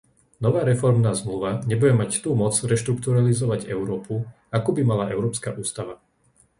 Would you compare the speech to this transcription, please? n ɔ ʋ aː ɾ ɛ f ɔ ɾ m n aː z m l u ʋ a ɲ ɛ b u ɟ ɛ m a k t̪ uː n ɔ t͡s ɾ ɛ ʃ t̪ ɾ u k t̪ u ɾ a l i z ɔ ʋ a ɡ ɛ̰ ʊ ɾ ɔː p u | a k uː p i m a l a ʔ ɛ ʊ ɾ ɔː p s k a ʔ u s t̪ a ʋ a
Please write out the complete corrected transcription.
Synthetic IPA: n ɔ ʋ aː ɾ ɛ f ɔ ɾ m n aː z m l u ʋ a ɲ ɛ b u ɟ ɛ m a c t̪ uː m ɔ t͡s ɾ ɛ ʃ t̪ ɾ u k t̪ u ɾ a l i z ɔ ʋ a ɟ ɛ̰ ʊ ɾ ɔː p u | a k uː b i m a l a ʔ ɛ ʊ ɾ ɔː p s k a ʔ uː s t̪ a ʋ a